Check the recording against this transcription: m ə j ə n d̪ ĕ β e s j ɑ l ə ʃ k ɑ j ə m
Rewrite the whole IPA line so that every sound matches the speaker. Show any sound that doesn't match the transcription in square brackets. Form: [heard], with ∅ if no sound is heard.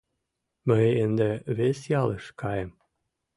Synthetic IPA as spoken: m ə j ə n d̪ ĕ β e s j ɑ l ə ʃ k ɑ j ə m